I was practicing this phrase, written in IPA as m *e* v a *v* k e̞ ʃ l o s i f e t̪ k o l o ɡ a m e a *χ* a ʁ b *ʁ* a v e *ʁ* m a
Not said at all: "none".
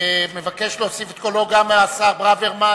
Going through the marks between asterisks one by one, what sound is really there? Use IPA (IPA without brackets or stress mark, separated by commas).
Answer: e, none, s, ʁ, ʁ